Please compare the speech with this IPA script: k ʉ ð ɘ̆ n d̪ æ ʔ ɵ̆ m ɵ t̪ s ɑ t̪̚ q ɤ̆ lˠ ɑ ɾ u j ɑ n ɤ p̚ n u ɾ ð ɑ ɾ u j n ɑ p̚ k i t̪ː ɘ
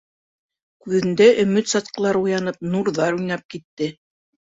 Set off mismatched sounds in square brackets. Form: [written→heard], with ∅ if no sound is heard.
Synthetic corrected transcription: k ʉ ð ɘ̆ n d̪ æ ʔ ɵ̆ m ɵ t̪ s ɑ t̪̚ q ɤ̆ lˠ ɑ ɾ u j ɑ n ɤ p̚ n u ɾ ð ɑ ɾ u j n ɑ p̚ k i t̪ː ɘ